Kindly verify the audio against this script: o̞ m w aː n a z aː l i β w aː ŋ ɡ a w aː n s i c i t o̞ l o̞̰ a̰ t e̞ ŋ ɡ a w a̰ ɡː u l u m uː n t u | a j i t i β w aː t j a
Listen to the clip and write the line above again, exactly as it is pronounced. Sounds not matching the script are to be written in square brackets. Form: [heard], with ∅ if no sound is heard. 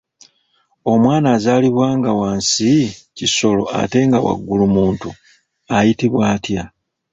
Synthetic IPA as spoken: o̞ m w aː n a z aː l i β w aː ŋ ɡ a w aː n s i c i [s] o̞ l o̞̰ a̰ t e̞ ŋ ɡ a w a̰ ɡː u l u m uː n t u | a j i t i β w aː t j a